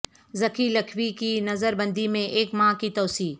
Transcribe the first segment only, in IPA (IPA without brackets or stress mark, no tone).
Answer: z